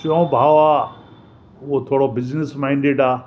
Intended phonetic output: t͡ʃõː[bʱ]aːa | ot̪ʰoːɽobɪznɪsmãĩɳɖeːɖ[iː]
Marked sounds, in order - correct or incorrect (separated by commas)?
correct, incorrect